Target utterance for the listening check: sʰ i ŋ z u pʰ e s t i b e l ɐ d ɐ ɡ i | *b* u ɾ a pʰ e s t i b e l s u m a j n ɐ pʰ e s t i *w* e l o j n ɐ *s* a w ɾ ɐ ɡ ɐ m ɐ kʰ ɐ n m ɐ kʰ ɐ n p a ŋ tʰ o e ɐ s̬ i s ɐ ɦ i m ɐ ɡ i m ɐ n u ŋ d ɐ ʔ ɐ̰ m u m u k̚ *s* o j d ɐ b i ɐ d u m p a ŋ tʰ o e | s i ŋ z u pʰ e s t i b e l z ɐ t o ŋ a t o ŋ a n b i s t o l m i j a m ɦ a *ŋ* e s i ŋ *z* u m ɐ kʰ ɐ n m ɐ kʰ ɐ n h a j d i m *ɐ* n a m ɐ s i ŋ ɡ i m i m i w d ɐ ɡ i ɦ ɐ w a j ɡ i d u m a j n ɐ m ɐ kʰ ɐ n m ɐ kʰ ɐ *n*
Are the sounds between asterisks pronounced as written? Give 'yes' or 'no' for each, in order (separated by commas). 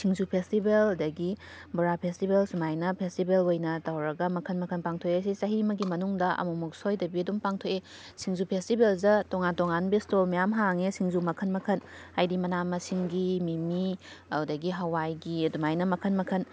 yes, no, no, yes, yes, yes, yes, yes